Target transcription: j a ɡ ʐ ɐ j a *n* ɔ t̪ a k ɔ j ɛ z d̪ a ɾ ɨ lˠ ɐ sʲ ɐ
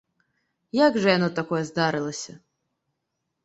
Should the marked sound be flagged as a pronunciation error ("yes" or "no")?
no